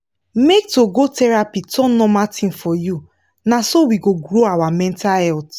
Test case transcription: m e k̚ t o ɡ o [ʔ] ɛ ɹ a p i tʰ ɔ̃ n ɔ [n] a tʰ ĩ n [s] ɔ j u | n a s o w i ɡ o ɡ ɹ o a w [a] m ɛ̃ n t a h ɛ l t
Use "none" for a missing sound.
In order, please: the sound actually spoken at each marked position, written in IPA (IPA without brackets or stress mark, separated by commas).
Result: t, m, f, a